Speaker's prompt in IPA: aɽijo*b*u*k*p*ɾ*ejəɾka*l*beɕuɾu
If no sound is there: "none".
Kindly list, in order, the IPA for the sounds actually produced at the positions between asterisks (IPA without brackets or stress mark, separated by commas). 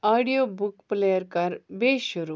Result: b, k, l, ɾ